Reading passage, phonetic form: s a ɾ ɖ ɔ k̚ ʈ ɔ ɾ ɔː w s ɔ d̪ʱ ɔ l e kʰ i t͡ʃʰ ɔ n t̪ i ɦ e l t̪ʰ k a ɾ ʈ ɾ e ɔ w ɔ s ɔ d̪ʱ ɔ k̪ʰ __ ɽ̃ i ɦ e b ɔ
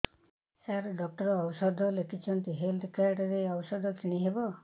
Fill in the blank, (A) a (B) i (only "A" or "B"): B